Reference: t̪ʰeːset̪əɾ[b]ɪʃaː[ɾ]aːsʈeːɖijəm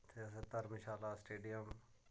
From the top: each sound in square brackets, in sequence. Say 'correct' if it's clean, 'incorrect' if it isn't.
incorrect: m, incorrect: l

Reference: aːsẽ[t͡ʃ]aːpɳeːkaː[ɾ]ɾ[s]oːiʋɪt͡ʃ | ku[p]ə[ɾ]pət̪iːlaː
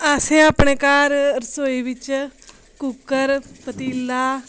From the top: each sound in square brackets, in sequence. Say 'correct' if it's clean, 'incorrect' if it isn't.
incorrect: none, correct, correct, incorrect: k, correct

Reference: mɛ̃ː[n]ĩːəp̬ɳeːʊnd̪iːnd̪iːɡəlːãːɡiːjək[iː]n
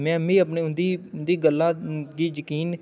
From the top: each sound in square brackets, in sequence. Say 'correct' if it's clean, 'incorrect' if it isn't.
incorrect: m, correct

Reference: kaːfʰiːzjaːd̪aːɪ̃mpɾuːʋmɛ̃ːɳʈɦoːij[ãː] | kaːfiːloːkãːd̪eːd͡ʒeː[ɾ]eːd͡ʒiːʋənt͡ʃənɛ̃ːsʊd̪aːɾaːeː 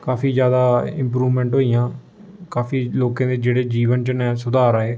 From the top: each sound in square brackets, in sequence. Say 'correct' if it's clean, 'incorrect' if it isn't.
correct, incorrect: ɽ

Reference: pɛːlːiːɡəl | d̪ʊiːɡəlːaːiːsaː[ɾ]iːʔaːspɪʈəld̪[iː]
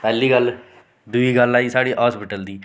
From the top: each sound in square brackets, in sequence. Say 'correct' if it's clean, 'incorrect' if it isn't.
incorrect: ɽ, correct

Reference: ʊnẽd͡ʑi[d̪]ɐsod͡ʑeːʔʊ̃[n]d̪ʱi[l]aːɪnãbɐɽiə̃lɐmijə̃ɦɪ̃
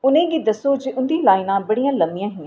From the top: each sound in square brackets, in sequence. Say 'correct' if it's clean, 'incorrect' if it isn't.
correct, correct, correct

